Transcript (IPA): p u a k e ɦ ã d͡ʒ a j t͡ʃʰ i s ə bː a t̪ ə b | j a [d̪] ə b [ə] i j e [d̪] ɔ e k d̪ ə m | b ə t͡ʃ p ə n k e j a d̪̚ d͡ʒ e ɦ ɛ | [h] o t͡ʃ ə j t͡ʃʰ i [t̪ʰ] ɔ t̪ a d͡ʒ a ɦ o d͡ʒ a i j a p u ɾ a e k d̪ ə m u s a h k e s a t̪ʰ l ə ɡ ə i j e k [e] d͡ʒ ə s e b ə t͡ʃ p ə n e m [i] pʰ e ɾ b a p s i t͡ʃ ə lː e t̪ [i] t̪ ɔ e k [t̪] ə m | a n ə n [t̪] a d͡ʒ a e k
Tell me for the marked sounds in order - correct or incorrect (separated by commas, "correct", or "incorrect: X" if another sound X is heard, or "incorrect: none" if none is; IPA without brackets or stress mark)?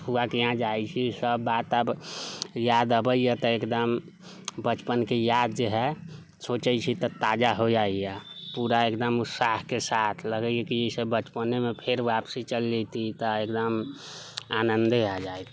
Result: correct, correct, incorrect: t̪, incorrect: s, incorrect: t̪, incorrect: i, incorrect: e, correct, incorrect: d̪, incorrect: d̪